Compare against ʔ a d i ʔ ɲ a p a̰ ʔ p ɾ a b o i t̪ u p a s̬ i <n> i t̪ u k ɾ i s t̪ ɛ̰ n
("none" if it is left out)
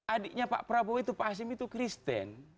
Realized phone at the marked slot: m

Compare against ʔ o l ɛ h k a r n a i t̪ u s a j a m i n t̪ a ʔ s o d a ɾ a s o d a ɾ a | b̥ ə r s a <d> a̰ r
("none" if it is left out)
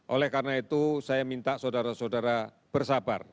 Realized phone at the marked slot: b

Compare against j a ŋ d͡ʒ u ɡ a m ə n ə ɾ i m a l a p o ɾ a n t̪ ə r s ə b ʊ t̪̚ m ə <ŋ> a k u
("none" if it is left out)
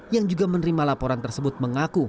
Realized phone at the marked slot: ŋ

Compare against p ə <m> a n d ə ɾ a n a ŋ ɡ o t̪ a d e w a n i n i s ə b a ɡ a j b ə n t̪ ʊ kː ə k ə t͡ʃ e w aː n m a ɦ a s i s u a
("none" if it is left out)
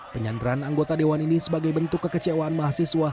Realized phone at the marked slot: ɲ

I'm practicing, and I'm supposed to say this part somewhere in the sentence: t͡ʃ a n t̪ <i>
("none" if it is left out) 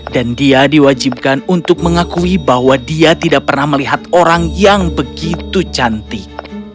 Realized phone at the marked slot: i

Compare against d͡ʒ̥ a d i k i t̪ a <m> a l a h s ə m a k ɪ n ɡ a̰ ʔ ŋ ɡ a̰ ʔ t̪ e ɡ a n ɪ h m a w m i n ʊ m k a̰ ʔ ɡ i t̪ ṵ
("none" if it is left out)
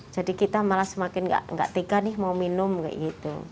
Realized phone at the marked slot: m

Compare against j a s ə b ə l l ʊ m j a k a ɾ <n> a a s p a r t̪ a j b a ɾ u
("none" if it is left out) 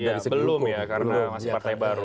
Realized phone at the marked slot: n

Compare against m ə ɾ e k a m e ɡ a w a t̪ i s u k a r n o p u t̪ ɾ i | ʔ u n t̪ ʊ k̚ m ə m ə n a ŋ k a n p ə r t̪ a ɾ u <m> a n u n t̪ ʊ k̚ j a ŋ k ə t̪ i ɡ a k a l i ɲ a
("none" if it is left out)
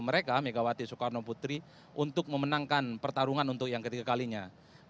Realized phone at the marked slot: ŋ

